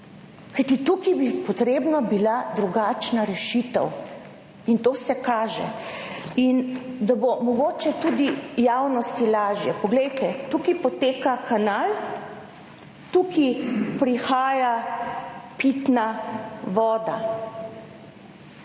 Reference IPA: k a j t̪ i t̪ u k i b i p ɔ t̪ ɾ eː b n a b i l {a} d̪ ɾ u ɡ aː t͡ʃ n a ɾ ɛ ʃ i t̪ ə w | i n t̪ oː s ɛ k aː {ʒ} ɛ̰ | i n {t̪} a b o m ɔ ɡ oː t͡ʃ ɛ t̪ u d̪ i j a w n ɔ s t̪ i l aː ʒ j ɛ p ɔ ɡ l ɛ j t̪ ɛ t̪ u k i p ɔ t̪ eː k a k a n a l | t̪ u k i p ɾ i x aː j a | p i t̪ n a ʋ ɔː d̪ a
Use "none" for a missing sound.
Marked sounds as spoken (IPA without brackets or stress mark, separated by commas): a, ʒ, d̪